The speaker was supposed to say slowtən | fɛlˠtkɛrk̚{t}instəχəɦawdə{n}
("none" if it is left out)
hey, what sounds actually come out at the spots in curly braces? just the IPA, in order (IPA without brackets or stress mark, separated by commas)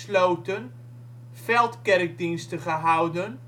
d, n